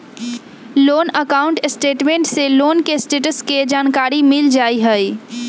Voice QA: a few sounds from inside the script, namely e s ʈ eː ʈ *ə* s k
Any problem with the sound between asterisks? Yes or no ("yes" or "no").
no